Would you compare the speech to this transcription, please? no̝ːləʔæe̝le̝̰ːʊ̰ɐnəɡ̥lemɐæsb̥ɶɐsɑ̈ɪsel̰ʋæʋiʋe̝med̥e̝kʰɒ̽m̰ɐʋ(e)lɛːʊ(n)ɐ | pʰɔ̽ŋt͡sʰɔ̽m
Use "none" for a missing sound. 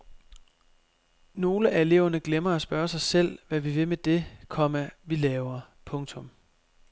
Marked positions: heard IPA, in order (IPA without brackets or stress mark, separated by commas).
i, none